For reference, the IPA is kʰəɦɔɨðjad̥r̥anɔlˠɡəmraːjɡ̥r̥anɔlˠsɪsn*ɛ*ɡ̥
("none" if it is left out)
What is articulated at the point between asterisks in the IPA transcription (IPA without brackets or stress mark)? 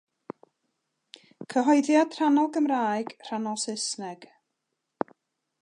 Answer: ɛ